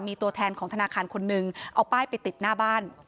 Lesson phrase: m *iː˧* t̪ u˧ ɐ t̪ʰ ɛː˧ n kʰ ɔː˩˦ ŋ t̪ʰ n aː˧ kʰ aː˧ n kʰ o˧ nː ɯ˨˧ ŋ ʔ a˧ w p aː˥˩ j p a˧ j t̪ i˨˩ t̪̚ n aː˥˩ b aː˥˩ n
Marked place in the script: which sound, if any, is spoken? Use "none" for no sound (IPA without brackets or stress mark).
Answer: iː˧